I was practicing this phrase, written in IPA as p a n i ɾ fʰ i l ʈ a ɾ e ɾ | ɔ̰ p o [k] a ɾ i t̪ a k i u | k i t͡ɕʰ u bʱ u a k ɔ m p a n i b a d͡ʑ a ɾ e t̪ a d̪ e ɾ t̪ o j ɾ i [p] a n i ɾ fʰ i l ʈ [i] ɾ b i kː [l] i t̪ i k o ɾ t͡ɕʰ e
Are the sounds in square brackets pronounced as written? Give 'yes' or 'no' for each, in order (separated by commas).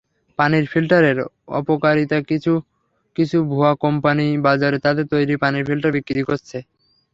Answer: yes, yes, no, no